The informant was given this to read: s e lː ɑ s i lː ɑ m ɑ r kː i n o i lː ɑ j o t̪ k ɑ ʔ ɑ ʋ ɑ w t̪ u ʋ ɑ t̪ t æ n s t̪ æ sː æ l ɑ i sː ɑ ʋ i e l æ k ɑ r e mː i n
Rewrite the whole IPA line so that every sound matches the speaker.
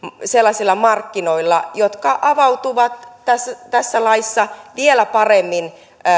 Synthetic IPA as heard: s e lː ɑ s i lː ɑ m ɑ r kː i n o i lː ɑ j o t̪ k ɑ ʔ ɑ ʋ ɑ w t̪ u ʋ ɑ t̪ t æ s t̪ æ sː æ l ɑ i sː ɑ ʋ i e l æ p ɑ r e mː i n